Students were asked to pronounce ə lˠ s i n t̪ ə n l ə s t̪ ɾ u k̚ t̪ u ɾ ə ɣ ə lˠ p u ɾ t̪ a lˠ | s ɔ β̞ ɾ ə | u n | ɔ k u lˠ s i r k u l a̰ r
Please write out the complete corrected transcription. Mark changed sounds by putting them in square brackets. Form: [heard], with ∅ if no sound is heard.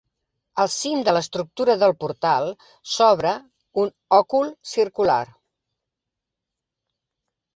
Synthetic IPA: ə lˠ s i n [d̪] ə [∅] l ə s t̪ ɾ u k̚ t̪ u ɾ ə [ð] ə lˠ p u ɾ t̪ a lˠ | s ɔ β̞ ɾ ə | u n | ɔ k u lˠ s i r k u l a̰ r